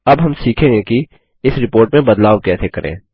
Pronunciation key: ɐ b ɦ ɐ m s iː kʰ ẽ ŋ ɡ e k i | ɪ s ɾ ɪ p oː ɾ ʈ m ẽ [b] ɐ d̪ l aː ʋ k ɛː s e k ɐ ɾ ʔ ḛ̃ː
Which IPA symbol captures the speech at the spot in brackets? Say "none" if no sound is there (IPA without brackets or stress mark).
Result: b